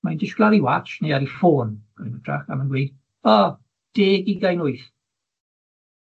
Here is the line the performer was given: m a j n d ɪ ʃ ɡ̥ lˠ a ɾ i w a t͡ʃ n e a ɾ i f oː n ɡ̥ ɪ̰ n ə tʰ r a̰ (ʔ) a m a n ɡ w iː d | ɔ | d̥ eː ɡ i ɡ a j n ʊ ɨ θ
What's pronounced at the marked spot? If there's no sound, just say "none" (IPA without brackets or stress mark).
k